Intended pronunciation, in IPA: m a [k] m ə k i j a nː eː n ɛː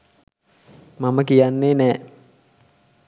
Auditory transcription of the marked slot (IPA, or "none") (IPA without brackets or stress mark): none